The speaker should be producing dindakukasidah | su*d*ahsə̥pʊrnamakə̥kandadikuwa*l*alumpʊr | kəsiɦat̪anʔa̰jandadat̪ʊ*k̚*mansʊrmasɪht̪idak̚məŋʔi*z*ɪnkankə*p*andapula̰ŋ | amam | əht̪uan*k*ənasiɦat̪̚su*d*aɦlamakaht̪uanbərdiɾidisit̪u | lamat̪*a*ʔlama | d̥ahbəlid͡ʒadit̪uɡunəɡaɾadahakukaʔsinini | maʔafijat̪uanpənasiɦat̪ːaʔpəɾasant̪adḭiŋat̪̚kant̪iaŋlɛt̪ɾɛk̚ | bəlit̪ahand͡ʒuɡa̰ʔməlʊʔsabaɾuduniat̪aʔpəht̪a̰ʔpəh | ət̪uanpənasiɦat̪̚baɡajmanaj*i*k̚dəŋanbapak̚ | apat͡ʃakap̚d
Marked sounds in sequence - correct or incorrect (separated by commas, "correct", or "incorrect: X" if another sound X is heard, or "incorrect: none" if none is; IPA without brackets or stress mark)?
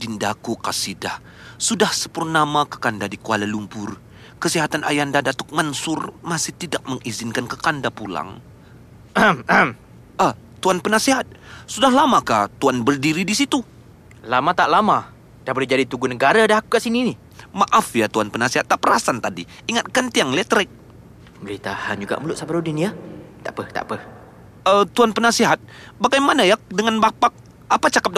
correct, correct, correct, correct, incorrect: k, incorrect: p, correct, correct, incorrect: a